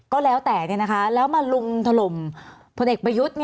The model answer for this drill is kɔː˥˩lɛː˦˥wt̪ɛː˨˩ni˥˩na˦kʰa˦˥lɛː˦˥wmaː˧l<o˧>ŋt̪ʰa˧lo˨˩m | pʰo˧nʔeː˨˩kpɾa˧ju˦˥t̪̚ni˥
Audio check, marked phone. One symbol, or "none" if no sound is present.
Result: u˧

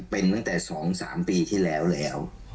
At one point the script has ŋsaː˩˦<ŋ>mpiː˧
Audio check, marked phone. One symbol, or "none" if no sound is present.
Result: none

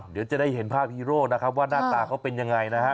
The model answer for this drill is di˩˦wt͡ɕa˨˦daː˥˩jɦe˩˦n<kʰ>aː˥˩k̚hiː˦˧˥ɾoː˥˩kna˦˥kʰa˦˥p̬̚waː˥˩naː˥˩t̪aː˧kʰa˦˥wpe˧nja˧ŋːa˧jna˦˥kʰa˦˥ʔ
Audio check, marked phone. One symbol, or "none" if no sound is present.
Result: pʰ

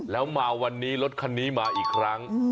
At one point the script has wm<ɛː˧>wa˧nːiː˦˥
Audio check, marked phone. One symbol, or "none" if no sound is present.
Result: aː˧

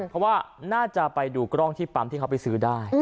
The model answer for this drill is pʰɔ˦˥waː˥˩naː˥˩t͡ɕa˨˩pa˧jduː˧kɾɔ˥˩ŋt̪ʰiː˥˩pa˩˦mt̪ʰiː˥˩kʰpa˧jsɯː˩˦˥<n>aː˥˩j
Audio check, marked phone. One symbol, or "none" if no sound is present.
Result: d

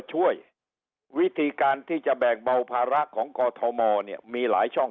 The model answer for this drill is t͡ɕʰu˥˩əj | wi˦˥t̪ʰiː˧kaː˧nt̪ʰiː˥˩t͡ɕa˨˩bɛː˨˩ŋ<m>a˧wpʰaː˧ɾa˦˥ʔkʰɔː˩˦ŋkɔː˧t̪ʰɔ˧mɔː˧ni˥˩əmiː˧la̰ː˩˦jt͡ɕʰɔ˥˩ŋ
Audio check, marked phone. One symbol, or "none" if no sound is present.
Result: b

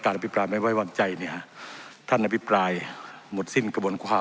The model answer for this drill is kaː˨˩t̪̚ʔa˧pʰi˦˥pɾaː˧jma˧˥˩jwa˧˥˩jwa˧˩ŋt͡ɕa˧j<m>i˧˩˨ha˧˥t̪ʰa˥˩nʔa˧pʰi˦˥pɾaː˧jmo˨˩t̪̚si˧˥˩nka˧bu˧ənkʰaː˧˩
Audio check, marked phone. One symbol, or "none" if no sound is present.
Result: n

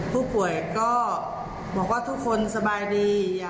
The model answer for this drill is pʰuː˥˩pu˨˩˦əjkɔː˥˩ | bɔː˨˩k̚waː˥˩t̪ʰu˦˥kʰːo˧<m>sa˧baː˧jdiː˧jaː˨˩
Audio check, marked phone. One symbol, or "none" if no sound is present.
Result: n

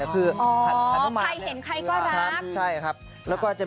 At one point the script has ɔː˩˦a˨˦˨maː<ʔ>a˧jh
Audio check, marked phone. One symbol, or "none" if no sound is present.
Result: none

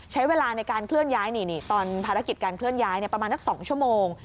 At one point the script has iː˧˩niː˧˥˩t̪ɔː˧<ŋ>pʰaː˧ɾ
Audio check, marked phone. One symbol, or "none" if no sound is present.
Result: n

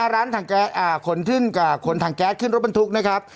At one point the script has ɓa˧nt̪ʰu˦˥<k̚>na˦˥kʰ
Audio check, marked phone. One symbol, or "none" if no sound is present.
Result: k̚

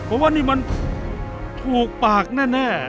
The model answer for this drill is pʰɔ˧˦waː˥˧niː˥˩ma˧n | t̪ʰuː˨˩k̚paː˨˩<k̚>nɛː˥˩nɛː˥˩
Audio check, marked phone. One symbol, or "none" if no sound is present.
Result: k̚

